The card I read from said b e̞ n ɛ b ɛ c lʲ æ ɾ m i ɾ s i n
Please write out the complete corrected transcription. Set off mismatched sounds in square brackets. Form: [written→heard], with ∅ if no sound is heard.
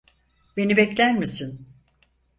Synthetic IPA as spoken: b e̞ n [ɛ→i] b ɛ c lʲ æ ɾ m i [ɾ→∅] s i n